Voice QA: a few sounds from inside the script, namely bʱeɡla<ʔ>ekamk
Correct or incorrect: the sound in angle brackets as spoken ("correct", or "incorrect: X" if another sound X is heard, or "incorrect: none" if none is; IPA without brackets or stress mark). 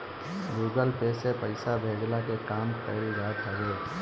incorrect: k